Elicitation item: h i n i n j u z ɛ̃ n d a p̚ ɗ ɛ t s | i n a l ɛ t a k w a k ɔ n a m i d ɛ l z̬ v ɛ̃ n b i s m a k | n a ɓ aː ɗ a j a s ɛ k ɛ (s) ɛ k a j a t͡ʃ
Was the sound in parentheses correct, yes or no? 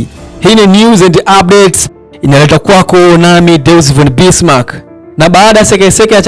yes